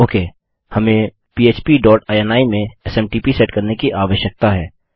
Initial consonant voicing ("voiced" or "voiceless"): voiceless